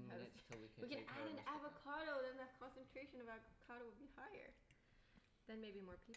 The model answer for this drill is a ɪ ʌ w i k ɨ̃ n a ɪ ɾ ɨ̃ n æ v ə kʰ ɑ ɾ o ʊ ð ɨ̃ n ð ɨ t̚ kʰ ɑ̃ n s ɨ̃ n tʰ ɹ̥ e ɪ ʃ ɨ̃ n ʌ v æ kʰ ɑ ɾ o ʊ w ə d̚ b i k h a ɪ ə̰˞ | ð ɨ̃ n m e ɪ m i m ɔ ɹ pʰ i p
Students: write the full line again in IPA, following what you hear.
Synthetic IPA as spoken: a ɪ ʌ w i k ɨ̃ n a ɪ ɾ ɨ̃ n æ v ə kʰ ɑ ɾ o ʊ ð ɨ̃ n ð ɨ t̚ kʰ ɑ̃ n s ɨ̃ n tʰ ɹ̥ e ɪ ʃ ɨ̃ n ʌ v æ kʰ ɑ ɾ o ʊ w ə d̚ b i h a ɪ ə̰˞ | ð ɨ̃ n m e ɪ b i m ɔ ɹ pʰ i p